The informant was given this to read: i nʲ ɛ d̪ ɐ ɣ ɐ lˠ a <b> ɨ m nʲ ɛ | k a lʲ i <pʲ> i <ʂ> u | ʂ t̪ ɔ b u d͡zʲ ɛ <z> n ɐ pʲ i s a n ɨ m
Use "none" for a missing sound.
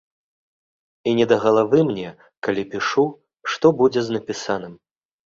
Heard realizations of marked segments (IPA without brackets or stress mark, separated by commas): v, pʲ, ʂ, z